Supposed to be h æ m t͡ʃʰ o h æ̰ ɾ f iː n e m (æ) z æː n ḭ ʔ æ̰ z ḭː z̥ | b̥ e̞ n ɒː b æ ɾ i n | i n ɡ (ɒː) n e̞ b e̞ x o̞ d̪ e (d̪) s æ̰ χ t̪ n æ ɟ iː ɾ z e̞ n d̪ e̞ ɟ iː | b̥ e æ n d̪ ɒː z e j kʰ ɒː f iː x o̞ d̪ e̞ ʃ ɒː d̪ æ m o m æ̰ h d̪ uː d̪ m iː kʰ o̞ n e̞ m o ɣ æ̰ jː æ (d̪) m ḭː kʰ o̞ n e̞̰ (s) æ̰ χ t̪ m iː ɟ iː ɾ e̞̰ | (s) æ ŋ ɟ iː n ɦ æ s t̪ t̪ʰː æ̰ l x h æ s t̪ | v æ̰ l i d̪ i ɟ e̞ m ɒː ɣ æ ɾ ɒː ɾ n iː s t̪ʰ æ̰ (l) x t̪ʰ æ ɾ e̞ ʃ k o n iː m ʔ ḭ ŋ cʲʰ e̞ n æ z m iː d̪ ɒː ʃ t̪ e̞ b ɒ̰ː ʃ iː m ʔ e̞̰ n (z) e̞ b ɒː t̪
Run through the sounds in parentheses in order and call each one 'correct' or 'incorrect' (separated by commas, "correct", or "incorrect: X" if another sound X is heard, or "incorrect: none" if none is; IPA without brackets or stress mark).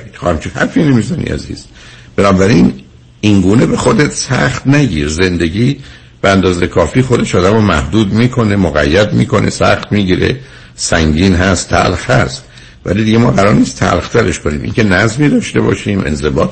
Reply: incorrect: i, incorrect: uː, incorrect: t̪, correct, correct, correct, correct, correct